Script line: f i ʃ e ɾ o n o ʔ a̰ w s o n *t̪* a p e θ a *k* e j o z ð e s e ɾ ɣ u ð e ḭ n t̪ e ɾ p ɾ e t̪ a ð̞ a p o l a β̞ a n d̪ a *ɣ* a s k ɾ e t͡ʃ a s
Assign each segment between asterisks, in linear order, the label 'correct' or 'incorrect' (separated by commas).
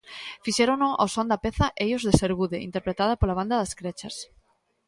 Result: incorrect, incorrect, incorrect